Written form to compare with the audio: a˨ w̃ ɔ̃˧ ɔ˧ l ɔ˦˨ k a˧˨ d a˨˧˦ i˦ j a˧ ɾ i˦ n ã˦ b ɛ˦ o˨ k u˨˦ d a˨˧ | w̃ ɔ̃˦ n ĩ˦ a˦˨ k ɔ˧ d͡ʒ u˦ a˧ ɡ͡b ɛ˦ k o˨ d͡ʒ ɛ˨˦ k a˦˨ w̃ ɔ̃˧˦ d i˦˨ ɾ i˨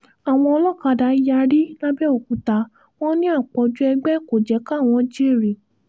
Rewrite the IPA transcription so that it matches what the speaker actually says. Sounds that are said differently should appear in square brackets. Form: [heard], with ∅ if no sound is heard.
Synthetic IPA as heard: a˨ w̃ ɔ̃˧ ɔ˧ l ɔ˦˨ k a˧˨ d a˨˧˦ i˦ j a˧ ɾ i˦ n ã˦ b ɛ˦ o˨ k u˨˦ [t] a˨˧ | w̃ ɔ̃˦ n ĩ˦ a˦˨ [k͡p] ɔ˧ d͡ʒ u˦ [ɛ˧] ɡ͡b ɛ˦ k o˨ d͡ʒ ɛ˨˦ k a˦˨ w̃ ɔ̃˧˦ [d͡ʒ] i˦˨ ɾ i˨